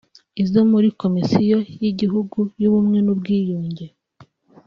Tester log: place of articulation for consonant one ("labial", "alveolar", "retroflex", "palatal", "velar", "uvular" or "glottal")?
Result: alveolar